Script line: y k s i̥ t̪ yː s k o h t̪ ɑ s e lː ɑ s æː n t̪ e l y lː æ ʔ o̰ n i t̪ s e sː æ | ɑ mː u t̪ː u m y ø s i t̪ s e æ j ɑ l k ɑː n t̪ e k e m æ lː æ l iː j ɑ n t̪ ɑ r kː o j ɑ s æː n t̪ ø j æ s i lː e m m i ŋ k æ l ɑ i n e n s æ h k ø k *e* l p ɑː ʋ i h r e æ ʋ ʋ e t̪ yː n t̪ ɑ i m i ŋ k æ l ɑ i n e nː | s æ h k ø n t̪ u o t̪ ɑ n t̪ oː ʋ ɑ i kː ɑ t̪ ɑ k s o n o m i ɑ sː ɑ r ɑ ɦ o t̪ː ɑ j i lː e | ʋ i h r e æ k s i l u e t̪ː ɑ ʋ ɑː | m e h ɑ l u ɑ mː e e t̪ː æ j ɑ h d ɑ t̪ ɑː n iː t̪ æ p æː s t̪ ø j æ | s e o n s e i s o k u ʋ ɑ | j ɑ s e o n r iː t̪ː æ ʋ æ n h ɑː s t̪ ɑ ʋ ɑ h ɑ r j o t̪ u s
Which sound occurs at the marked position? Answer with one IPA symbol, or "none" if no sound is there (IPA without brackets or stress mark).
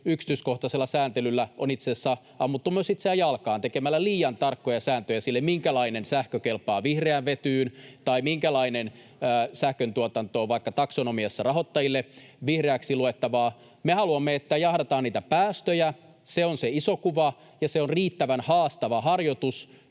e